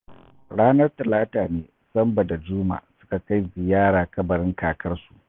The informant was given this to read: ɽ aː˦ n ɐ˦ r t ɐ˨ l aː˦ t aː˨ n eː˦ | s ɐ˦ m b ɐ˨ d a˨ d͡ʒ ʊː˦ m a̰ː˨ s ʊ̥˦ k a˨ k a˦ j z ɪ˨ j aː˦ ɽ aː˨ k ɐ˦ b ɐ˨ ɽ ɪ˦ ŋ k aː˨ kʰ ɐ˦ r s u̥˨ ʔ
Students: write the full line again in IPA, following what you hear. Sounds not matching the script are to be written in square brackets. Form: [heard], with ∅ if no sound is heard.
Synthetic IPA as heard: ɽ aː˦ n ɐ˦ r t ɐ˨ l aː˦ t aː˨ n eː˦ | s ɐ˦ m b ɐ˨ d a˨ d͡ʒ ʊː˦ m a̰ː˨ s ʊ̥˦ k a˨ k a˦ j z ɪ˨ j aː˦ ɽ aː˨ k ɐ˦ b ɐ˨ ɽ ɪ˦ ŋ k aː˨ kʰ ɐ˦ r s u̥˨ ʔ